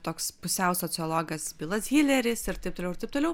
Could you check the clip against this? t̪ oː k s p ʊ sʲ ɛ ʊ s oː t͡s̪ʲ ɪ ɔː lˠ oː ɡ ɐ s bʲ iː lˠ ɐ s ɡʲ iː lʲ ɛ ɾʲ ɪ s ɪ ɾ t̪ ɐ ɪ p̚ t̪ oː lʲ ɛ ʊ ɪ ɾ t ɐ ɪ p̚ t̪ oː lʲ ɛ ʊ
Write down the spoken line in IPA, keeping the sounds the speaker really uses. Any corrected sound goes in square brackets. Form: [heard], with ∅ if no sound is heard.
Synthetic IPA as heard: t̪ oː k s p ʊ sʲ ɛ ʊ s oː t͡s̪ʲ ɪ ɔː lˠ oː ɡ ɐ s bʲ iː lˠ ɐ s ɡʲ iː lʲ ɛ ɾʲ ɪ s ɪ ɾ t̪ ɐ ɪ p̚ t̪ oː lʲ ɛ ʊ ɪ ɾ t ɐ ɪ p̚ t̪ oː lʲ ɛ ʊ

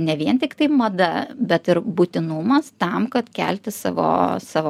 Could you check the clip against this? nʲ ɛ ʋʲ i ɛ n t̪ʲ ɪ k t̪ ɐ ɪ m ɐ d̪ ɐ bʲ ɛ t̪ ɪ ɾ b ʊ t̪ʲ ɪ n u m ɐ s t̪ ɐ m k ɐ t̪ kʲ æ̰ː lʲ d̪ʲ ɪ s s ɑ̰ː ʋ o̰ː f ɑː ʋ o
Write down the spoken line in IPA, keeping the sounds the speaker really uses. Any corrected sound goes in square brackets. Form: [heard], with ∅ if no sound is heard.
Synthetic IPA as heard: nʲ ɛ ʋʲ i ɛ n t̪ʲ ɪ k t̪ ɐ ɪ m ɐ d̪ ɐ bʲ ɛ t̪ ɪ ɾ b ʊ t̪ʲ ɪ n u m ɐ s t̪ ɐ m k ɐ t̪ kʲ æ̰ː lʲ [t̪ʲ] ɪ s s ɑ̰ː ʋ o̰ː [s] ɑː ʋ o

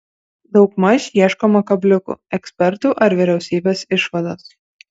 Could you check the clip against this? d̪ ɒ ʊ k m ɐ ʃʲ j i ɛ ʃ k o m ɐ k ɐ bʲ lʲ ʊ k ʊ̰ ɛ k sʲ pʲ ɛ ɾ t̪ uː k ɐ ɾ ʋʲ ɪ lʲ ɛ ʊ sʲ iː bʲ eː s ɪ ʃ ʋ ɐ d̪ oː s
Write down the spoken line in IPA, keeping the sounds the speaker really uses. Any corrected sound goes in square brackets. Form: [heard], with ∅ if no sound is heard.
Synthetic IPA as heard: d̪ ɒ ʊ k m ɐ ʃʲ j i ɛ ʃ k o m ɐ k ɐ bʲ lʲ ʊ k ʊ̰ ɛ k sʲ pʲ ɛ ɾ t̪ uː [ʔ] ɐ ɾ ʋʲ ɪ [ɾʲ] ɛ ʊ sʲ iː bʲ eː s ɪ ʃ ʋ ɐ d̪ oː s

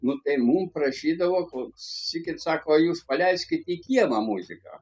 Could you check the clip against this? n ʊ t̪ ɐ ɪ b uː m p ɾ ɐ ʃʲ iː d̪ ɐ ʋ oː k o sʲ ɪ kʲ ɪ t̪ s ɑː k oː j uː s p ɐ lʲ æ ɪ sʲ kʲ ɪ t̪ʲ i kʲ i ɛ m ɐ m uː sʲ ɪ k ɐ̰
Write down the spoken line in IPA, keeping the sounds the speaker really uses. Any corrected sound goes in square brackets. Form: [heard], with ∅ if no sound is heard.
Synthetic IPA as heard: n ʊ t̪ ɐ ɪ [m] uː m p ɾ ɐ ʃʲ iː d̪ ɐ ʋ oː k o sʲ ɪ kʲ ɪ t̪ s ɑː k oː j uː s p ɐ lʲ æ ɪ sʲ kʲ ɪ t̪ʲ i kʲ i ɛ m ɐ m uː [zʲ] ɪ k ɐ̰

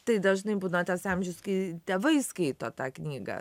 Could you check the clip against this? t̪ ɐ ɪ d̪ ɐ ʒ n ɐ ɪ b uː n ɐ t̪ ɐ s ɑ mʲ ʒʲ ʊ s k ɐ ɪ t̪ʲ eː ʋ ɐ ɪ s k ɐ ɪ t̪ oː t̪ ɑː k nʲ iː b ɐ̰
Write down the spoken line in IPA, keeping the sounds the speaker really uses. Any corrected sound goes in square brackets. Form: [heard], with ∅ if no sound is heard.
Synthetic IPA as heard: t̪ ɐ ɪ d̪ ɐ ʒ n ɐ ɪ b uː n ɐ t̪ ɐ s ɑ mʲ ʒʲ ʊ s k ɐ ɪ t̪ʲ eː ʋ ɐ ɪ s k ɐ ɪ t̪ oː t̪ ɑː k nʲ iː [ɡ] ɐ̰

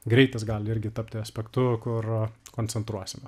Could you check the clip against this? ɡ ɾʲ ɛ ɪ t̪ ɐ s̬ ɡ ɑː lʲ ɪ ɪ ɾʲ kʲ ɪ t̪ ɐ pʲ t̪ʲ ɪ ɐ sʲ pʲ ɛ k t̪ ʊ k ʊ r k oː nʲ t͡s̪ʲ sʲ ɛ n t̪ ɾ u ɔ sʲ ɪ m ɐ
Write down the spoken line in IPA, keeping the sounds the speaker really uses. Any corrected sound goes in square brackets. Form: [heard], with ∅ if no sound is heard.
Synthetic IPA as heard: ɡ ɾʲ ɛ ɪ t̪ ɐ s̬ ɡ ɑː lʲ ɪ ɪ ɾʲ [ɡʲ] ɪ t̪ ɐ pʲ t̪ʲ ɪ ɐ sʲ pʲ ɛ k t̪ ʊ k ʊ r k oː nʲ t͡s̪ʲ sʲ ɛ n t̪ ɾ u ɔ sʲ ɪ m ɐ

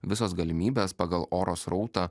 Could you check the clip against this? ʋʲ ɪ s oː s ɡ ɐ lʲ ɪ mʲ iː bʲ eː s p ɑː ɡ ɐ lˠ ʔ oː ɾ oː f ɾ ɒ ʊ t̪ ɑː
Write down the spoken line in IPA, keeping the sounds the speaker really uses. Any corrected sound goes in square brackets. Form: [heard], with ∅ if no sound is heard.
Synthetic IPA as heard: ʋʲ ɪ s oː s ɡ ɐ lʲ ɪ mʲ iː bʲ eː s p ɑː ɡ ɐ lˠ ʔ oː ɾ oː [s] ɾ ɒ ʊ t̪ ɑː

